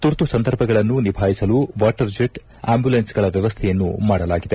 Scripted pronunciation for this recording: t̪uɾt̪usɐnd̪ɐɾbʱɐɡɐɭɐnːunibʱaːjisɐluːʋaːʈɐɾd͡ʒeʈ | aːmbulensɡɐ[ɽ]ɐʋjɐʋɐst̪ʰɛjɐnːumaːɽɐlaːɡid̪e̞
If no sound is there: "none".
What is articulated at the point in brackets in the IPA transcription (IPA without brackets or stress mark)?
ɭ